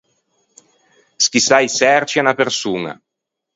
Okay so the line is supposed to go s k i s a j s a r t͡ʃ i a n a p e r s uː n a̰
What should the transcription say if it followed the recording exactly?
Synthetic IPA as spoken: s k i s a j s ɛ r t͡ʃ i a n a p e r s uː n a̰